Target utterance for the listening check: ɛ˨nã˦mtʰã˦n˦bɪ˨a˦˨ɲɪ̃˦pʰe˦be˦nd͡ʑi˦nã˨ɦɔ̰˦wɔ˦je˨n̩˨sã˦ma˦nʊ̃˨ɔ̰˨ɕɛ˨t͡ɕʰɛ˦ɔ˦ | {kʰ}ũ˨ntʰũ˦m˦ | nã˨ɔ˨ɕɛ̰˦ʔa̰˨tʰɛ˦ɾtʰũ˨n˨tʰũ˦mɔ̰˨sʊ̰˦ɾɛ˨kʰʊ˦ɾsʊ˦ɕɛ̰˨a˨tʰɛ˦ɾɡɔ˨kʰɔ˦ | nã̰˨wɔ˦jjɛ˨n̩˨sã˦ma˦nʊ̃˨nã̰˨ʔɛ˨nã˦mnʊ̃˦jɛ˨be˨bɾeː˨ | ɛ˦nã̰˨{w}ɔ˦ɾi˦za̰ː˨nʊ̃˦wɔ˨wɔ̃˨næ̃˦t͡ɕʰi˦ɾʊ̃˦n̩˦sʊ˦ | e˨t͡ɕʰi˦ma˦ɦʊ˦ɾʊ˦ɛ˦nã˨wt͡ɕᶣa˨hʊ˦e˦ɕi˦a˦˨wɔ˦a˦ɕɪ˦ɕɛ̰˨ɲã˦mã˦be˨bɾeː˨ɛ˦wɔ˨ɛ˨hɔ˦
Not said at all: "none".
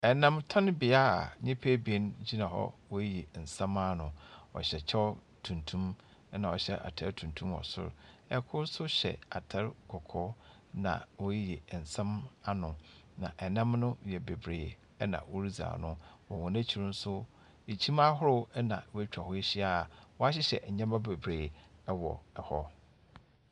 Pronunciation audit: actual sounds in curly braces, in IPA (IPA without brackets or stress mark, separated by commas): tʰ, w